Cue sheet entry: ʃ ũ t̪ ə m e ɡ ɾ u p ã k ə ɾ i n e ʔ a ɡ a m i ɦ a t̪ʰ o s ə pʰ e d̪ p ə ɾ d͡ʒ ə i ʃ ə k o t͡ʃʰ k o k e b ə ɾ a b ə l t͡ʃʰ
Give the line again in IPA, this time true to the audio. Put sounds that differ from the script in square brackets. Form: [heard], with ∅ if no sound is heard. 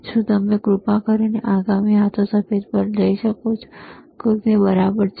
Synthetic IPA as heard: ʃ ũ t̪ ə m e ɡ ɾ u p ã k ə ɾ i n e ʔ a ɡ a m i ɦ a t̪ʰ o s ə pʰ e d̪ p ə ɾ d͡ʒ ə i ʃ ə k o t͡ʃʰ k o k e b ə ɾ a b ə [ɾ] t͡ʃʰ